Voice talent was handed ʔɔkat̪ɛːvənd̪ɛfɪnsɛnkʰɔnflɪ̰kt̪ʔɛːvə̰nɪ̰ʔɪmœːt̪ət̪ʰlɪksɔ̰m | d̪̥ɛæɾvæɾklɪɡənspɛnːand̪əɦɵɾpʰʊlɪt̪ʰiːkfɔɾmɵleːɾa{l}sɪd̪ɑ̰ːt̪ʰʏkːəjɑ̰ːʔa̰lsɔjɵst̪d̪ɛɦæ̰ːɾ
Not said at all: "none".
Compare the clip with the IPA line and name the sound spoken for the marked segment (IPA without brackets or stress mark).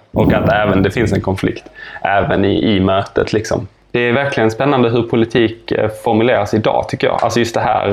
none